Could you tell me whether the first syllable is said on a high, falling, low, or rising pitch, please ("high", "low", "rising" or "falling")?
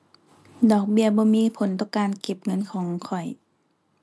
low